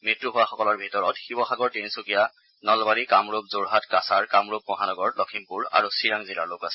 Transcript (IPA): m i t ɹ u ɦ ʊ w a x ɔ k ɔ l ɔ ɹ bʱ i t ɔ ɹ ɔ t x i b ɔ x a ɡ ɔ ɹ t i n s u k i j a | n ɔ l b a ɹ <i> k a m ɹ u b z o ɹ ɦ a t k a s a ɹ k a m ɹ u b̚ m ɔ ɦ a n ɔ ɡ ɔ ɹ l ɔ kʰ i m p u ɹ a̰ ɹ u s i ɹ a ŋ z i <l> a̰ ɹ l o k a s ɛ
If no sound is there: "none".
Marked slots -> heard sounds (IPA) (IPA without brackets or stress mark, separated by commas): i, l